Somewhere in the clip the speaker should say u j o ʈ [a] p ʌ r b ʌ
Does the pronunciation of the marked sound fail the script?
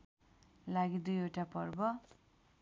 no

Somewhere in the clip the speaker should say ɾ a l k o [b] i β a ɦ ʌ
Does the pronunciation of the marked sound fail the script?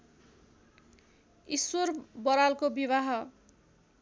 no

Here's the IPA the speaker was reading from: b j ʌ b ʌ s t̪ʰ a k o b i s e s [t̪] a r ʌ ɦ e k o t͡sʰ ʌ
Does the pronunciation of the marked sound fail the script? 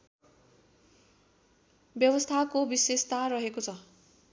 no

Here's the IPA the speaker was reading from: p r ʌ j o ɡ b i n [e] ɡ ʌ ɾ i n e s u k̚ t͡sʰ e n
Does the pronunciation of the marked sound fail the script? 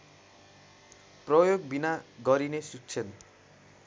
yes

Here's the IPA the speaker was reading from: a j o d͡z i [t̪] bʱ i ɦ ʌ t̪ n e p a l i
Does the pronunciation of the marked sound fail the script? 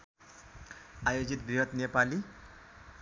no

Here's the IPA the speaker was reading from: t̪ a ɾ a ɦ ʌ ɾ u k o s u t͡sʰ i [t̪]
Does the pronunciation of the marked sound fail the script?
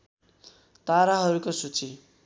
yes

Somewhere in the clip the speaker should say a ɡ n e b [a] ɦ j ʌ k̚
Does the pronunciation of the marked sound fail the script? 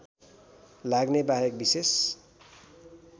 no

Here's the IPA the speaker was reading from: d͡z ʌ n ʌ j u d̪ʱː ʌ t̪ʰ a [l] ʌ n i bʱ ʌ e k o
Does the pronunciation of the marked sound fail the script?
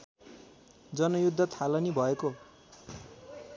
no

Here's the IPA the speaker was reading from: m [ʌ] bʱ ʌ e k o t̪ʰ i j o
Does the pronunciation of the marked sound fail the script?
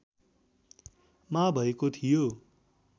yes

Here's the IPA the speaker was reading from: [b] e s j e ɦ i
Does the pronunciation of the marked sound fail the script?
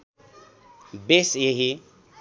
no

